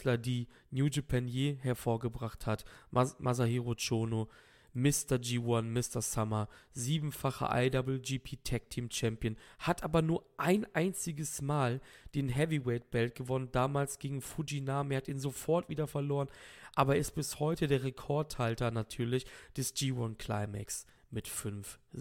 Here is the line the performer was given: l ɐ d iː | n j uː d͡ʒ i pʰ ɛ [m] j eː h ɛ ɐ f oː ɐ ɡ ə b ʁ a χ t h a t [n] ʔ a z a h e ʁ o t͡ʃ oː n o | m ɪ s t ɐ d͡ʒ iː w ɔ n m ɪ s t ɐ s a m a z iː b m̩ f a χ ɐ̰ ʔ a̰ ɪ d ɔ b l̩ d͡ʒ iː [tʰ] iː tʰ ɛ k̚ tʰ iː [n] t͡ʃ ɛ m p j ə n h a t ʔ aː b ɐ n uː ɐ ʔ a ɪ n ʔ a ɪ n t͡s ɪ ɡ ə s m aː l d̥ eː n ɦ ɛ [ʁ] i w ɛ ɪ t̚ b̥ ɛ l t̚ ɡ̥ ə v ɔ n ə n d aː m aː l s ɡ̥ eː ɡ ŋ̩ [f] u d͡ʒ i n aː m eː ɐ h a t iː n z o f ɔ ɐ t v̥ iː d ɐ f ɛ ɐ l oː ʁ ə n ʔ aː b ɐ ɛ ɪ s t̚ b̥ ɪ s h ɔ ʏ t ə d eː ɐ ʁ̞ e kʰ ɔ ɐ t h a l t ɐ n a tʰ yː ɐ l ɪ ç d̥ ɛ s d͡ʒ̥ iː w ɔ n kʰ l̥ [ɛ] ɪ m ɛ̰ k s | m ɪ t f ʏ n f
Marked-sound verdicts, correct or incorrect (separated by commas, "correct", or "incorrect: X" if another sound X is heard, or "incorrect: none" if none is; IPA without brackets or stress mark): incorrect: n, incorrect: m, incorrect: pʰ, incorrect: m, incorrect: v, correct, incorrect: a